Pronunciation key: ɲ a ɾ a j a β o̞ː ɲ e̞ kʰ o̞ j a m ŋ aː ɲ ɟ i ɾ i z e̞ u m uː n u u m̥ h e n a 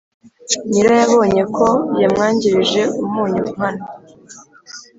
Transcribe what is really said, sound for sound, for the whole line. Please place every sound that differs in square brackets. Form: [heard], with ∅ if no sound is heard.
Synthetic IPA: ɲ [i] ɾ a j a β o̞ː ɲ e̞ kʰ o̞ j a m ŋ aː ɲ ɟ i ɾ i [ʒ] e̞ u m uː [ɲ] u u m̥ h [a] n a